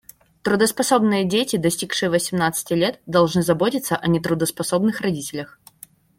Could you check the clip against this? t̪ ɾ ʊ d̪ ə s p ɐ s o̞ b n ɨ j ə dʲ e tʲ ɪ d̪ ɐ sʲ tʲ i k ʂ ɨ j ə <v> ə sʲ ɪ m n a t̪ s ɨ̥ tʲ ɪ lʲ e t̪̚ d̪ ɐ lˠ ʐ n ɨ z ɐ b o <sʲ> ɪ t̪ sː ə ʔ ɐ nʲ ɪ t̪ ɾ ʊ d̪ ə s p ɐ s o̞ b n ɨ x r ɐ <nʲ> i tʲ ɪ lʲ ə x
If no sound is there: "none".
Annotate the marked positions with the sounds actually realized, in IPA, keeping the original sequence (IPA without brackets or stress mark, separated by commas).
v, tʲ, dʲ